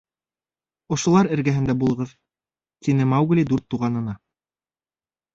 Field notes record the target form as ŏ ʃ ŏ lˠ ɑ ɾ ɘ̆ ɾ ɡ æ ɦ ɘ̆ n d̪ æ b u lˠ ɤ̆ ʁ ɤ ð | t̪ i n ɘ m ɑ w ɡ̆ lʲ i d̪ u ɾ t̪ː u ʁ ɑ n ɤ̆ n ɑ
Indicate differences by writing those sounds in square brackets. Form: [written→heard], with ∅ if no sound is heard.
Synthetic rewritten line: ŏ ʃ ŏ lˠ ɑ ɾ ɘ̆ ɾ ɡ æ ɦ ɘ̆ n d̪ æ b u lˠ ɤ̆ ʁ ɤ ð | t̪ i n ɘ m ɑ w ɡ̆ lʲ i d̪ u ɾ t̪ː u ʁ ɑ n ɤ̆ n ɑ